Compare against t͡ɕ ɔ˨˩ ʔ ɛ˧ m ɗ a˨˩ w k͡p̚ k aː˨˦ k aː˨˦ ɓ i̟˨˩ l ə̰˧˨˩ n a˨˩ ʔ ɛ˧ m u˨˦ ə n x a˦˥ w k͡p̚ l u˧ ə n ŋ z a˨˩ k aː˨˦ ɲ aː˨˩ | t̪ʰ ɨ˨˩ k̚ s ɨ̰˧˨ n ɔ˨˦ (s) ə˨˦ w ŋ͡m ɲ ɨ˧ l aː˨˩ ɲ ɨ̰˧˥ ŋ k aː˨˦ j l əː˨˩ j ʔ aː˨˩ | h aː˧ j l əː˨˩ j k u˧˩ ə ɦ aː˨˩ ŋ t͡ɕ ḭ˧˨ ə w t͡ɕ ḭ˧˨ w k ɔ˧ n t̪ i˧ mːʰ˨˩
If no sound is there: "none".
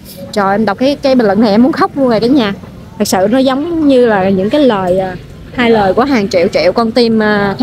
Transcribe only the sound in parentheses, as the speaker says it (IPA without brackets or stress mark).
z